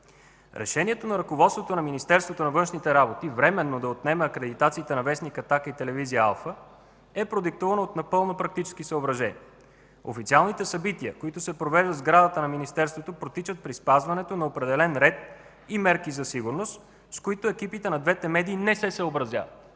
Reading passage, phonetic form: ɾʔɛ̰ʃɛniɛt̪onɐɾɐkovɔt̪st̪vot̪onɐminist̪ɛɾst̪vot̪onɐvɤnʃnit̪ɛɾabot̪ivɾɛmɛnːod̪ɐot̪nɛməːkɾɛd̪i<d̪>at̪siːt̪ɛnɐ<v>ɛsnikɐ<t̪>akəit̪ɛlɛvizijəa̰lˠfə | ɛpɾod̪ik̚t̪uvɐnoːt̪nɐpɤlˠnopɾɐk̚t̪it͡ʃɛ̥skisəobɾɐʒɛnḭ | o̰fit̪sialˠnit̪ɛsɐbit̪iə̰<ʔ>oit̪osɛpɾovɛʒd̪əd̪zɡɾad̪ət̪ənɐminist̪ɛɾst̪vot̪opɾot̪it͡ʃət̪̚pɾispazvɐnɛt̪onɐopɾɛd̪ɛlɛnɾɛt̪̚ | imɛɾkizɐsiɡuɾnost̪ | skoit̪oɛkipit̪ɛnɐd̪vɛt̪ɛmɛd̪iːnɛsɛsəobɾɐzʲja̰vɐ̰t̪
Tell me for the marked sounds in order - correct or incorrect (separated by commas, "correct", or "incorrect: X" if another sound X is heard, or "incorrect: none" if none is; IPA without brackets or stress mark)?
incorrect: t̪, correct, correct, incorrect: k